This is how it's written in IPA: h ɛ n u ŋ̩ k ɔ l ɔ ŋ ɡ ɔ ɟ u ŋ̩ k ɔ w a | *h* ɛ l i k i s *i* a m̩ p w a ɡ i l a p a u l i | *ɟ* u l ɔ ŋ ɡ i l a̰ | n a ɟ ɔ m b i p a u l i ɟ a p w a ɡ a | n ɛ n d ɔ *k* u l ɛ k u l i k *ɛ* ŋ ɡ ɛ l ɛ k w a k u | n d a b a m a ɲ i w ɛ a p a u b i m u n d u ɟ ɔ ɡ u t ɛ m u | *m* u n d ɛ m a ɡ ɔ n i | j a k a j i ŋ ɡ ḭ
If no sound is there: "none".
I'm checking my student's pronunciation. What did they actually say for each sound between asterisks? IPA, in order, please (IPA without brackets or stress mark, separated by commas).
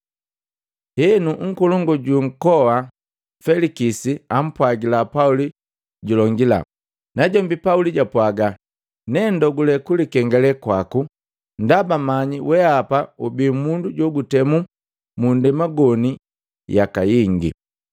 f, i, ɟ, ɡ, ɛ, m